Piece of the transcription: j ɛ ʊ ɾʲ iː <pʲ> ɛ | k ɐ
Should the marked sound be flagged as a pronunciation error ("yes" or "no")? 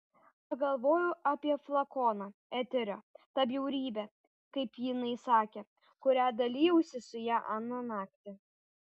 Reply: yes